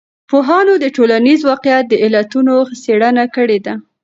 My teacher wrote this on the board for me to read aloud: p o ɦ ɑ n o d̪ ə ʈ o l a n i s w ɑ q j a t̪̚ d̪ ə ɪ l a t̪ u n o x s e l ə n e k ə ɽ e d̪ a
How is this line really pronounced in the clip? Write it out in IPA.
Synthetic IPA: p o ɦ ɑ n o d̪ ə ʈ o l a n i z w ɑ q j a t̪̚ d̪ ə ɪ l a t̪ u n o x s e ɽ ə n a k ə ɽ e d̪ a